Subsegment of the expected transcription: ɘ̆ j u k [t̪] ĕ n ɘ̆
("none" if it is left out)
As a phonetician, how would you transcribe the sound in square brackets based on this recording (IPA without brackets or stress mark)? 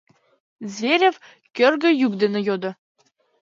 d̪